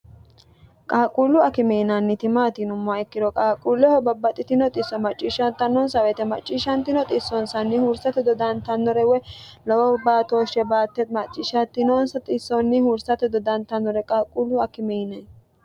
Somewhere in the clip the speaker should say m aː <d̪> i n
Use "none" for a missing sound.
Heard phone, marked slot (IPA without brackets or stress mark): t̪